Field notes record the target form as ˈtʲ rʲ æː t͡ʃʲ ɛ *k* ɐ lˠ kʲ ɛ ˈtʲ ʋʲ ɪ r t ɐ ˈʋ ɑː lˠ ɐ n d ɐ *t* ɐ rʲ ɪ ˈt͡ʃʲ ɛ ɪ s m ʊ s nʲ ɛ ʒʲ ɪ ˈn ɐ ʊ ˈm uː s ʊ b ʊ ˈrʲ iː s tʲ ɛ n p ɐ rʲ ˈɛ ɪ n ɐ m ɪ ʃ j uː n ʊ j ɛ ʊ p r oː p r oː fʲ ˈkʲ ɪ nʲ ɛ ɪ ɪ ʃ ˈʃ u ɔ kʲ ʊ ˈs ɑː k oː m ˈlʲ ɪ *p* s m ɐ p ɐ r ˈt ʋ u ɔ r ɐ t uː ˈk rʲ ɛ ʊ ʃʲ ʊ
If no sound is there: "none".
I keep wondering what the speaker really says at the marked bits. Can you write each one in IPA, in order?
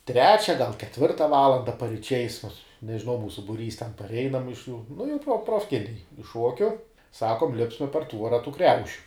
ɡ, p, p

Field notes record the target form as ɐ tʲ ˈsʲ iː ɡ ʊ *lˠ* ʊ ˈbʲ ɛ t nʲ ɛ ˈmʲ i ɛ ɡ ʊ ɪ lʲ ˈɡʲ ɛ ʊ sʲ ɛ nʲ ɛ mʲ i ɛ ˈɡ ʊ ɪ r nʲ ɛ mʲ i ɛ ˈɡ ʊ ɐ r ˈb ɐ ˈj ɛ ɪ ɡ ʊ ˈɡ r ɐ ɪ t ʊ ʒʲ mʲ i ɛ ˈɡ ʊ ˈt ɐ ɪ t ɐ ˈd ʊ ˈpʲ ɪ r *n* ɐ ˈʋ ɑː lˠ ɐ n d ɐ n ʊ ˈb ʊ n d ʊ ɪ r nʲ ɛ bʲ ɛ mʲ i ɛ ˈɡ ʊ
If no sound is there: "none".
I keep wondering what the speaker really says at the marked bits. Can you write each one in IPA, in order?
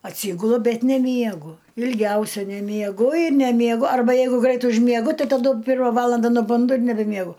lˠ, m

